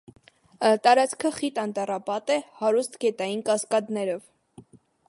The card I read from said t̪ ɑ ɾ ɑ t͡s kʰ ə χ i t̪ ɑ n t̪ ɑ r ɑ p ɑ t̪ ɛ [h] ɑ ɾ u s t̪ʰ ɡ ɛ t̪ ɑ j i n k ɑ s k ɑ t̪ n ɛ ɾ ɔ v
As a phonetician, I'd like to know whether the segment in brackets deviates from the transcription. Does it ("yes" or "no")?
no